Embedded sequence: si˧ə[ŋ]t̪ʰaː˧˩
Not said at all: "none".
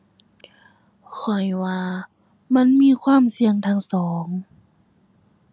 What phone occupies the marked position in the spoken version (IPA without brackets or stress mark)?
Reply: ŋ